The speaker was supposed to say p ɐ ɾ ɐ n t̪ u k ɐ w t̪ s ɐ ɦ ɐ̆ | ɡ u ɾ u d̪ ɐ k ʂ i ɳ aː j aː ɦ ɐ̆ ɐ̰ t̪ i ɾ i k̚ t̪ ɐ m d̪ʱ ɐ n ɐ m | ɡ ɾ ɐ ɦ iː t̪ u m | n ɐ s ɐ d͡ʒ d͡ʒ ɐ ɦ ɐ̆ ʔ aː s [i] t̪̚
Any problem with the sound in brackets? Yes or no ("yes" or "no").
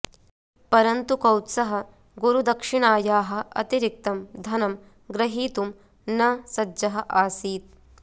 yes